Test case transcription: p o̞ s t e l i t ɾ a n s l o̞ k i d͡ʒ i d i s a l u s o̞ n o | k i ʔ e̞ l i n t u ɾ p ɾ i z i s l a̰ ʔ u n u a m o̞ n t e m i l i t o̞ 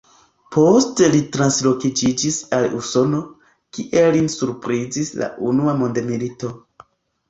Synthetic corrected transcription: p o̞ s t e l i t ɾ a n s l o̞ k i d͡ʒ i d͡ʒ i s a l u s o̞ n o | k i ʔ e̞ l i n s u ɾ p ɾ i z i s l a̰ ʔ u n u a m o̞ n d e m i l i t o̞

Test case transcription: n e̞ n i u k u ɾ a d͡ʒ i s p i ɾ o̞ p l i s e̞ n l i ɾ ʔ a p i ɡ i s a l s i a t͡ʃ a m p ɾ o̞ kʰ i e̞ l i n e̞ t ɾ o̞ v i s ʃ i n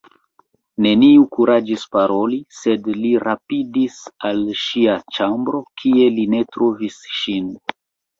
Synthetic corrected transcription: n e̞ n i u k u ɾ a d͡ʒ i s p a ɾ o̞ l i s e̞ d l i ɾ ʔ a p i d i s a l ʃ i a t͡ʃ a m b ɾ o̞ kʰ i e̞ l i n e̞ t ɾ o̞ v i s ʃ i n

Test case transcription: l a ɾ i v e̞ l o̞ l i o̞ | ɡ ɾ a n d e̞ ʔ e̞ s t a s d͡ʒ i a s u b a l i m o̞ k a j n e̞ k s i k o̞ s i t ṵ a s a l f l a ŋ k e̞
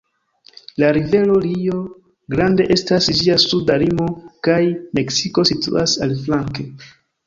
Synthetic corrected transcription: l a ɾ i v e̞ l o̞ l i o̞ | ɡ ɾ a n d e̞ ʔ e̞ s t a s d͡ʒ i a s u d a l i m o̞ k a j m e̞ k s i k o̞ s i t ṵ a s a l f l a ŋ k e̞

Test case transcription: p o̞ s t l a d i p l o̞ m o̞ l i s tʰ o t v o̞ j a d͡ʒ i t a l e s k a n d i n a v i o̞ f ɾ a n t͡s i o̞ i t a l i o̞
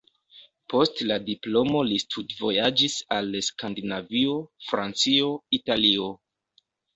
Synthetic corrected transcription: p o̞ s t l a d i p l o̞ m o̞ l i s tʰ u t v o̞ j a d͡ʒ i s a l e s k a n d i n a v i o̞ f ɾ a n t͡s i o̞ i t a l i o̞

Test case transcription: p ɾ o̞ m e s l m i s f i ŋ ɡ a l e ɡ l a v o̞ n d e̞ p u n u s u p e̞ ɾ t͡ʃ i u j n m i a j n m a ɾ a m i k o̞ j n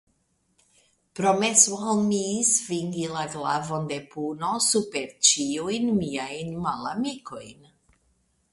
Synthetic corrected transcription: p ɾ o̞ m e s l m i s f i ŋ ɡ i l a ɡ l a v o̞ n d e̞ p u n o s u p e̞ ɾ t͡ʃ i u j n m i a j n m a l a m i k o̞ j n

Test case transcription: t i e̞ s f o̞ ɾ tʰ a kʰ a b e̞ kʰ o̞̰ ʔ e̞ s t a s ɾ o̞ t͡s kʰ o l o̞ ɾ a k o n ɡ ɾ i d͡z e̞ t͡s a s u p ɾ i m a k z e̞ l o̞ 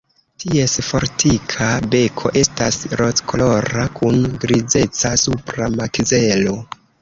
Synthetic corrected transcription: t i e̞ s f o̞ ɾ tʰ i kʰ a b e̞ kʰ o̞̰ ʔ e̞ s t a s ɾ o̞ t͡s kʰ o l o̞ ɾ a k u n ɡ ɾ i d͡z e̞ t͡s a s u p ɾ a m a k z e̞ l o̞

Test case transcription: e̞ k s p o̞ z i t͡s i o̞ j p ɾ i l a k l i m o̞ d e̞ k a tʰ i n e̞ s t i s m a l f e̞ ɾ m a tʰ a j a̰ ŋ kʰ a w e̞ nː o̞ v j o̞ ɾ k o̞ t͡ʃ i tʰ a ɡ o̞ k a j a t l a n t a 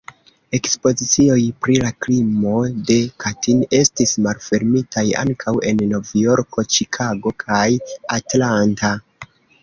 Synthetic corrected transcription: e̞ k s p o̞ z i t͡s i o̞ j p ɾ i l a k l i m o̞ d e̞ k a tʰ i n e̞ s t i s m a l f e̞ ɾ m i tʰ a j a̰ ŋ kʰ a w e̞ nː o̞ v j o̞ ɾ k o̞ t͡ʃ i kʰ a ɡ o̞ kʰ a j a t l a n t a

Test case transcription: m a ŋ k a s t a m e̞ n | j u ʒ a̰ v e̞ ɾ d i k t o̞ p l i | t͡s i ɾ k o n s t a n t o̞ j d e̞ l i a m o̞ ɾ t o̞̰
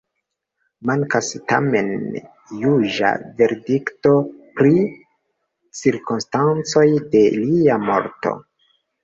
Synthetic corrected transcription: m a ŋ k a s t a m e̞ n | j u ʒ a̰ v e̞ ɾ d i k t o̞ p ɾ i | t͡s i ɾ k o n s t a n t͡s o̞ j d e̞ l i a m o̞ ɾ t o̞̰

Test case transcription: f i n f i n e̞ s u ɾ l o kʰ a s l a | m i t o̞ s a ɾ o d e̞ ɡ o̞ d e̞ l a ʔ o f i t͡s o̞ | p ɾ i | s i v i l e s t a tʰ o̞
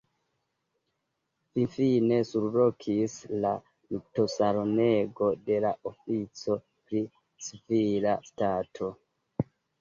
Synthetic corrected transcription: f i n f i n e̞ s u ɾ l o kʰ i s l a | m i t o̞ s a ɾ o n e̞ ɡ o̞ d e̞ l a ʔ o f i t͡s o̞ | p ɾ i | s i v i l a s t a tʰ o̞

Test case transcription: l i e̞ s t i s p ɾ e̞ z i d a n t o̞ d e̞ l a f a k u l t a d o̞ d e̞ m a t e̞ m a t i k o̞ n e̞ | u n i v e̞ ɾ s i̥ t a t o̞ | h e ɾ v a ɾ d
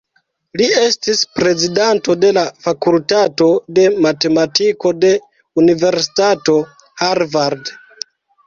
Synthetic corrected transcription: l i e̞ s t i s p ɾ e̞ z i d a n t o̞ d e̞ l a f a k u l t a t o̞ d e̞ m a t e̞ m a t i k o̞ d e̞ | u n i v e̞ ɾ s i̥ t a t o̞ | h a ɾ v a ɾ d

